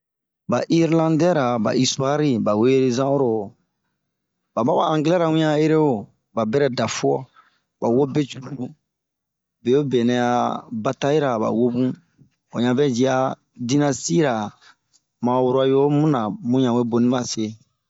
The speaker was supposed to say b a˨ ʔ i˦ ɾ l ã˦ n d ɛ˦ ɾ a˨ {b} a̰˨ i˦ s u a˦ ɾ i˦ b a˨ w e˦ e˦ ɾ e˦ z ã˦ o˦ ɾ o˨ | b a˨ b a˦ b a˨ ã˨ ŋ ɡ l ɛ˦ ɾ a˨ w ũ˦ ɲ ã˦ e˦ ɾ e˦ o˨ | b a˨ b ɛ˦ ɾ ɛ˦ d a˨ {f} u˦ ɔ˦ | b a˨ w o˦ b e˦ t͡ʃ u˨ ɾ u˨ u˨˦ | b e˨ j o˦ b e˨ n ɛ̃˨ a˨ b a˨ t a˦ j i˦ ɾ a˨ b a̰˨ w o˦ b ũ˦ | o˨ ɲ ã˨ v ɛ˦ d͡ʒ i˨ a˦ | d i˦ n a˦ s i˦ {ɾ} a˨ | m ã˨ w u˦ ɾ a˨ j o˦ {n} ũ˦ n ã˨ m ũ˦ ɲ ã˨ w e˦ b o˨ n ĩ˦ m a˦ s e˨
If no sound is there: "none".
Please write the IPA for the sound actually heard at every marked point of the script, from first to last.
b, f, ɾ, m

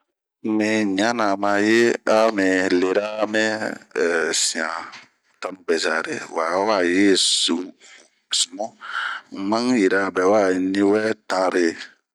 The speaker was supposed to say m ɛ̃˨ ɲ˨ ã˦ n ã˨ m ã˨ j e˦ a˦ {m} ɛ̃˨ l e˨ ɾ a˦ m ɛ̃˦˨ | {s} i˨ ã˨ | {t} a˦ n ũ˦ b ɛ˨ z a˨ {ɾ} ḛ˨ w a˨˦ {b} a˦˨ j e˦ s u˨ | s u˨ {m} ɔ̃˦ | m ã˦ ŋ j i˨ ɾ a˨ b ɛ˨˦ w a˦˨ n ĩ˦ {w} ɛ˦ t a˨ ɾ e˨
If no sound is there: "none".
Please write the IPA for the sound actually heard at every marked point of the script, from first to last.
m, s, t, ɾ, w, m, w

